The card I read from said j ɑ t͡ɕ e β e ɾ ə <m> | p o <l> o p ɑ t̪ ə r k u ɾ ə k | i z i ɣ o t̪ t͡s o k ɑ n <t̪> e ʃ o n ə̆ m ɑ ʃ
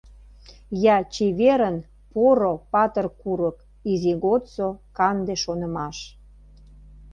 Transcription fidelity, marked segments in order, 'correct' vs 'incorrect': incorrect: n, incorrect: ɾ, incorrect: d̪

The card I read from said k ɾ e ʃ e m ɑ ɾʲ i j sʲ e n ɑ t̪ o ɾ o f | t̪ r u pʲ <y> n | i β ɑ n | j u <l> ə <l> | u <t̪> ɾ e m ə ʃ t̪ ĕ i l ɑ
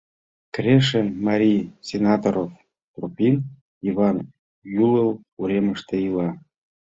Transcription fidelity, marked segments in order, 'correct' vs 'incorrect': incorrect: i, correct, correct, incorrect: none

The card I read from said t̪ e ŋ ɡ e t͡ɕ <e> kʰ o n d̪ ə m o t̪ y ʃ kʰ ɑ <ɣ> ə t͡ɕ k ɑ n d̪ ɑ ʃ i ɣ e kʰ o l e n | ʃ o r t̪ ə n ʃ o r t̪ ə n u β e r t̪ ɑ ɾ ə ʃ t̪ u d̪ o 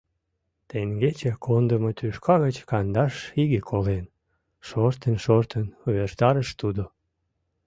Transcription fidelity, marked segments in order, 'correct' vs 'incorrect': correct, correct

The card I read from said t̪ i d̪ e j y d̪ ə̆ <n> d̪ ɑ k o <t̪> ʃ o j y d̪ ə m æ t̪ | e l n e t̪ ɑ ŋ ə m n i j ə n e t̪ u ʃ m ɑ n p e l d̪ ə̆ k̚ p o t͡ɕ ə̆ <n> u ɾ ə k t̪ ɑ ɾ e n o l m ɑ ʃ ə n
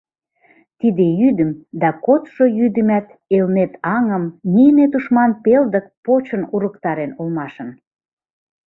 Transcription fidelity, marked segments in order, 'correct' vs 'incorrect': incorrect: m, correct, correct

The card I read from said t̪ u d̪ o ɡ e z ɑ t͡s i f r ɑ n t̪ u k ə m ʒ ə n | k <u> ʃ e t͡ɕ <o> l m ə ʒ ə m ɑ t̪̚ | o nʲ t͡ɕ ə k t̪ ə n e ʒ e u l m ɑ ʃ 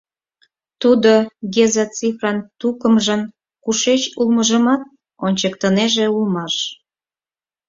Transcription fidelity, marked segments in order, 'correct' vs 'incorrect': correct, incorrect: u

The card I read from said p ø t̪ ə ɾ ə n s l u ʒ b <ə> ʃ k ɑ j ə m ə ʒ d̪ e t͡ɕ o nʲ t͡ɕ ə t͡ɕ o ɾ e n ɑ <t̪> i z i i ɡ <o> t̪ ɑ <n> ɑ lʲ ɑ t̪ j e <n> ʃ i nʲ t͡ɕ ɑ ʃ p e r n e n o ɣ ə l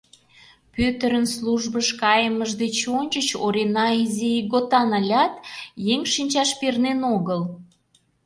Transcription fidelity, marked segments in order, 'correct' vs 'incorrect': correct, incorrect: none, correct, correct, incorrect: ŋ

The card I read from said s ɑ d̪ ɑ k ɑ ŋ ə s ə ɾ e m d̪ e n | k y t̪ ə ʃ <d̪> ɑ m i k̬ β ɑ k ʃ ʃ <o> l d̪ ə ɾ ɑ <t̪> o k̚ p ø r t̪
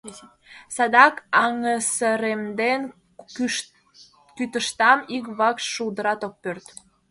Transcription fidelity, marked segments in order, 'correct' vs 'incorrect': incorrect: t̪, incorrect: u, correct

